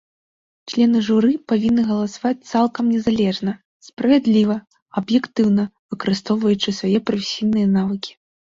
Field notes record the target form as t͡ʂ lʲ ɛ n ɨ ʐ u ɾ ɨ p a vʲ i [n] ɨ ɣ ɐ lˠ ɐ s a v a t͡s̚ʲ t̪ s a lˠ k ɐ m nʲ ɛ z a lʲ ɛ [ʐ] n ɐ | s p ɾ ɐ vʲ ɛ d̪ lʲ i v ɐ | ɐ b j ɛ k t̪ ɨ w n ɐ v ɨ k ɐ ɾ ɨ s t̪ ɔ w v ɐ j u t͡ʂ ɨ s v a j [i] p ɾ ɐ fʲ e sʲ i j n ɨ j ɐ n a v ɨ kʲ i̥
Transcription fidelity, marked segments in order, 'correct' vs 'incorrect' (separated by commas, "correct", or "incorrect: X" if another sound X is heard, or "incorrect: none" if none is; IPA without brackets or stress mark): incorrect: nː, correct, incorrect: ɛ